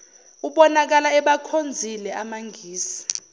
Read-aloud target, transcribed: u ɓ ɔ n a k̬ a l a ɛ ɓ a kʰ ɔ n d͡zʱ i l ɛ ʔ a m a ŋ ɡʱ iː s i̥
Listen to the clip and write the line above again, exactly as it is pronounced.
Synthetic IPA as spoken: u ɓ ɔ n a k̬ a l a ɛ ɓ a kʰ o n d͡zʱ i l ɛ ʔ a m a ŋ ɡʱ iː s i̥